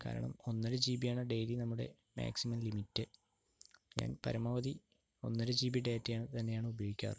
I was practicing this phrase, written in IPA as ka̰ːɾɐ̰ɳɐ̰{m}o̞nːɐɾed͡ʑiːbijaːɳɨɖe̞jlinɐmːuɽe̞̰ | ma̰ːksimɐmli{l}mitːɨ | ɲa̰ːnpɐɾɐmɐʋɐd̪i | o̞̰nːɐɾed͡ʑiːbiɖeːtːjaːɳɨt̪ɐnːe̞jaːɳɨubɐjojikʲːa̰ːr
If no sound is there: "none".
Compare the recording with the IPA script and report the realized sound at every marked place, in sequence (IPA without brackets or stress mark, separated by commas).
m, none